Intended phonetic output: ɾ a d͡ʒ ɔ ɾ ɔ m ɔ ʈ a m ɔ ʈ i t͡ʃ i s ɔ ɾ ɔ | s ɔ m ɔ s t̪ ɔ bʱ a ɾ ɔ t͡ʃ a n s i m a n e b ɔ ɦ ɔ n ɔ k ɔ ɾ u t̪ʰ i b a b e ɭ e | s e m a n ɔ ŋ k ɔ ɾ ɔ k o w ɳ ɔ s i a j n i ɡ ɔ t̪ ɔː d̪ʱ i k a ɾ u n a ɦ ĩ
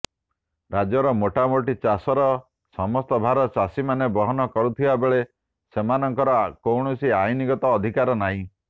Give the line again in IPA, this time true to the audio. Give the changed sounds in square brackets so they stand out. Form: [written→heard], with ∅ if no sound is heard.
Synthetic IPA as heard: ɾ a d͡ʒ ɔ ɾ ɔ m [ɔ→o] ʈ a m [ɔ→o] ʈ i t͡ʃ [i→a] s ɔ ɾ ɔ | s ɔ m ɔ s t̪ ɔ bʱ a ɾ ɔ t͡ʃ a [n→∅] s i m a n e b ɔ ɦ ɔ n ɔ k ɔ ɾ u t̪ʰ i b a b e ɭ e | s e m a n ɔ ŋ k ɔ ɾ ɔ k o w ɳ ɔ s i a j n i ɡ ɔ t̪ ɔː d̪ʱ i k a ɾ [u→ɔ] n a ɦ ĩ